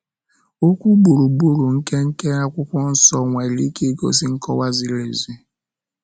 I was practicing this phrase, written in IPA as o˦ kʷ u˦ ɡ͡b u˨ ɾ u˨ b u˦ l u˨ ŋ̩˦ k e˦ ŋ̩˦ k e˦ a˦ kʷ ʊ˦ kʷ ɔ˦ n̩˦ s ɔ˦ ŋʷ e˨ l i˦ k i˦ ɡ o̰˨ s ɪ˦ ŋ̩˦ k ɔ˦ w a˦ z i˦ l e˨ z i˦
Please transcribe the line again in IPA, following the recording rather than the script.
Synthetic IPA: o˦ kʷ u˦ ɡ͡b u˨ ɾ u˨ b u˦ ɾ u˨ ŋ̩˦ k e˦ ŋ̩˦ k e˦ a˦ kʷ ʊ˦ kʷ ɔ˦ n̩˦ s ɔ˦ ŋʷ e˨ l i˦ k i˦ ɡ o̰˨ s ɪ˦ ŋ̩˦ k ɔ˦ w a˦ z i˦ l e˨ z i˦